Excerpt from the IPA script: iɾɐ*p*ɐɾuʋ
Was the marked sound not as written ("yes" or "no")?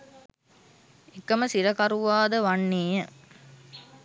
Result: yes